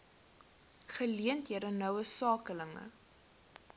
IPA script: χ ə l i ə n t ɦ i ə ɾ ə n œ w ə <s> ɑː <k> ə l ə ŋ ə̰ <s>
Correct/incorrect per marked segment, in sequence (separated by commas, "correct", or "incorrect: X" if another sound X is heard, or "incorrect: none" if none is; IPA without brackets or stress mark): correct, correct, incorrect: none